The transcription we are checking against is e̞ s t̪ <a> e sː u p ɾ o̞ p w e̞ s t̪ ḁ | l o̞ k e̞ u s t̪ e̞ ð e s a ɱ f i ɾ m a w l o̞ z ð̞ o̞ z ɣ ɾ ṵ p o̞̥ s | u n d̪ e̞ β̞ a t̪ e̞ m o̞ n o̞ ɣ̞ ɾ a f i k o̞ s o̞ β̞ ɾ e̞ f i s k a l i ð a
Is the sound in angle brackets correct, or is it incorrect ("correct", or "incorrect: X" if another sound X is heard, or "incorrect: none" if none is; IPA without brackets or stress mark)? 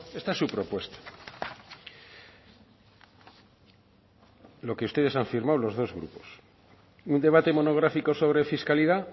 correct